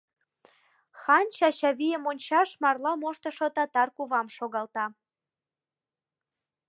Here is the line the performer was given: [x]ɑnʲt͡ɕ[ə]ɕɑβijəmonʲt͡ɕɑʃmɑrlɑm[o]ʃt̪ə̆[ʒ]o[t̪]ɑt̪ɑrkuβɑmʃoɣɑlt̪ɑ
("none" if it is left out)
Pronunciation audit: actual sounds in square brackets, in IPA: x, ɑ, o, ʃ, t̪

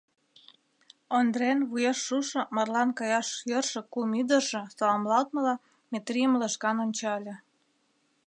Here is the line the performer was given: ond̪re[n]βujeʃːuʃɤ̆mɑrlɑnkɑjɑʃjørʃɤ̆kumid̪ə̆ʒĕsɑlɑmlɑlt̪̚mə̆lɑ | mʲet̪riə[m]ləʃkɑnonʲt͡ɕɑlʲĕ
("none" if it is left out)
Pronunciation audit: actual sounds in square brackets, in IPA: n, m

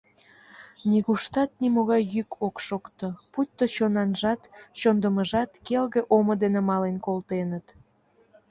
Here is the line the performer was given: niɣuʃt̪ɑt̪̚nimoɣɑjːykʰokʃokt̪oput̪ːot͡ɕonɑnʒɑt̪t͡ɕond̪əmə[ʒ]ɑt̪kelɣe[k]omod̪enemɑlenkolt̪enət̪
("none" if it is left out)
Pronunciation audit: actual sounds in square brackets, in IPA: ʒ, ʔ

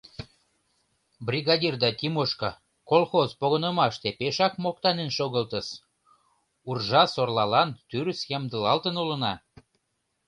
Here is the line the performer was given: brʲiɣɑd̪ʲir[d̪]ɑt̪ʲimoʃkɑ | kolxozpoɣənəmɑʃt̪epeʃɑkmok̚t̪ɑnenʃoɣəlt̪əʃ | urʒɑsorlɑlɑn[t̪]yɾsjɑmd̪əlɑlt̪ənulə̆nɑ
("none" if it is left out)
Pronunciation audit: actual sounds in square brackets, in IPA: d̪, t̪

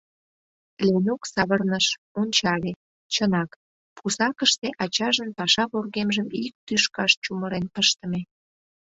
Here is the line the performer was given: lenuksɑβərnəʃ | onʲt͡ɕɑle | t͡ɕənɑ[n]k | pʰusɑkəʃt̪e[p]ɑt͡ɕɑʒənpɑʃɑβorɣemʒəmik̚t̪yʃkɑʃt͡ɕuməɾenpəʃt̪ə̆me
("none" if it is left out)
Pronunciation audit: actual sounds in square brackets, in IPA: none, ʔ

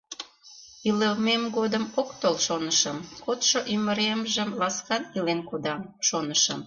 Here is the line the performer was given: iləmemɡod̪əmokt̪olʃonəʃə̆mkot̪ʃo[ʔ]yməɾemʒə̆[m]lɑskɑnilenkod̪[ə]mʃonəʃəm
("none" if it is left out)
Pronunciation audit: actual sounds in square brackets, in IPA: ʔ, m, ɑ

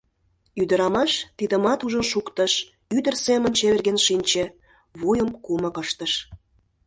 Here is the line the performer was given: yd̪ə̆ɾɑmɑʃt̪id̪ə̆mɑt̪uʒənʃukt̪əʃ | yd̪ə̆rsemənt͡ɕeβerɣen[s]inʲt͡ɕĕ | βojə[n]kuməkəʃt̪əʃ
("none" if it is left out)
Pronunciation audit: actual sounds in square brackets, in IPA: ʃ, m

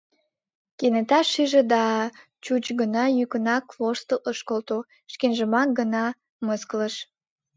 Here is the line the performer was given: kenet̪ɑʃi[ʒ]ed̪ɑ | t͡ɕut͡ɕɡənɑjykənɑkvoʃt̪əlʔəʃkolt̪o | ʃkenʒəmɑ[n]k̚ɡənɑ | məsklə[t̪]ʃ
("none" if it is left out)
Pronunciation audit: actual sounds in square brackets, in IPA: ʒ, none, none

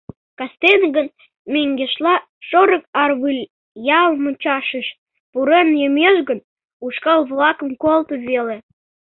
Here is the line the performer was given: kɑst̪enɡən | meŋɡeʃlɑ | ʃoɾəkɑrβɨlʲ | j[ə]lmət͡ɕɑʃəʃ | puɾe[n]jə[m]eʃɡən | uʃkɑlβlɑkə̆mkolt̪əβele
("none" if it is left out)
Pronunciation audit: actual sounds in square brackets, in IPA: ɑ, n, m

